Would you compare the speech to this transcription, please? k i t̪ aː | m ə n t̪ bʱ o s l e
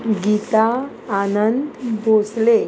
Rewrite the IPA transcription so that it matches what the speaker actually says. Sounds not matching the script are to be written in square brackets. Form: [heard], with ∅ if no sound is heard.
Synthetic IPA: [ɡ] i t̪ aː | [n] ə n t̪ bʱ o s l e